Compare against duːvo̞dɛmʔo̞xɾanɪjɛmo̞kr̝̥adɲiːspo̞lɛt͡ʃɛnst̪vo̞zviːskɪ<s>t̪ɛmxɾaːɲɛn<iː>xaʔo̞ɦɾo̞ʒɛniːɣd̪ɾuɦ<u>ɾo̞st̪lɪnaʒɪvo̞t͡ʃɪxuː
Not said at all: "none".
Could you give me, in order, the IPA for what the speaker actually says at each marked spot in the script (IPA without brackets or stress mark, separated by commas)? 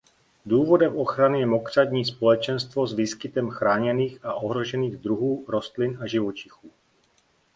none, iː, uː